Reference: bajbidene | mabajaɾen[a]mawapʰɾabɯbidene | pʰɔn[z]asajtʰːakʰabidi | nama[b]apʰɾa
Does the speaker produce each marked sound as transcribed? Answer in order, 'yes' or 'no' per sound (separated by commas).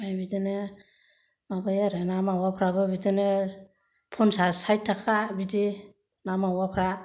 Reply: yes, no, no